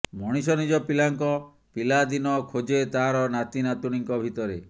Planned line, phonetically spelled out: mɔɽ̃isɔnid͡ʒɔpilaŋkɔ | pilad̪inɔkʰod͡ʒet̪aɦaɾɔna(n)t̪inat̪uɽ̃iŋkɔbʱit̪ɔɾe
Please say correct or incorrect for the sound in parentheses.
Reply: incorrect: none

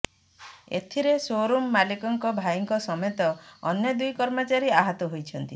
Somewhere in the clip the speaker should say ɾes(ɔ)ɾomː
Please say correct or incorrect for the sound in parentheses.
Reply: incorrect: o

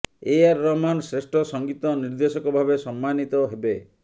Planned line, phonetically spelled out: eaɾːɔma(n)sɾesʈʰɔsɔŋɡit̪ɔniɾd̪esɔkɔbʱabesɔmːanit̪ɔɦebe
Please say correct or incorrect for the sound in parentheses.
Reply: correct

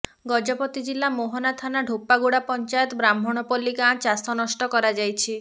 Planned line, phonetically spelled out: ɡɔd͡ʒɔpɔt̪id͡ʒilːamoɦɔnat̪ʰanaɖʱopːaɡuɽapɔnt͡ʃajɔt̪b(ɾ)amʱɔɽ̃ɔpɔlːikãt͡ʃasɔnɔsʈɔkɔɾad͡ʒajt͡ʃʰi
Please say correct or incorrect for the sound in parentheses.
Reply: correct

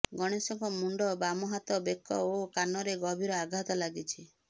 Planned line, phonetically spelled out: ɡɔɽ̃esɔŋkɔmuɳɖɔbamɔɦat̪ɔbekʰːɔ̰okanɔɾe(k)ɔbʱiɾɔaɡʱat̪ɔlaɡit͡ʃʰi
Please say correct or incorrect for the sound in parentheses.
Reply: incorrect: ɡ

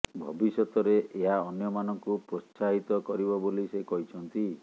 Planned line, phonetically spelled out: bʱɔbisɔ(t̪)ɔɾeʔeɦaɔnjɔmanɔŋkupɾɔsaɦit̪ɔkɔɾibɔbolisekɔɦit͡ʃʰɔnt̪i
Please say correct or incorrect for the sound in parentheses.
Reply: correct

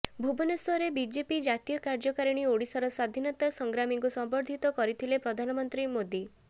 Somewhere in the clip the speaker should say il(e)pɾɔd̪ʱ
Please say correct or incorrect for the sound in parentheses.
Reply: correct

